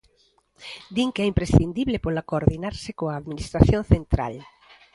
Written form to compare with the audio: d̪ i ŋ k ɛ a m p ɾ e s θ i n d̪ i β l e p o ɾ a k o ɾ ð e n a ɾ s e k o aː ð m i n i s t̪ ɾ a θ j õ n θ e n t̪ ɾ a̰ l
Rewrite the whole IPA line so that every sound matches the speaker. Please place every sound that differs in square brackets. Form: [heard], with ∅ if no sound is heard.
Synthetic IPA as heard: d̪ i ŋ k ɛ [i] m p ɾ e s θ i n d̪ i β l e p o [l] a k o ɾ ð [i] n a ɾ s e k o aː ð m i n i s t̪ ɾ a θ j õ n θ e n t̪ ɾ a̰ l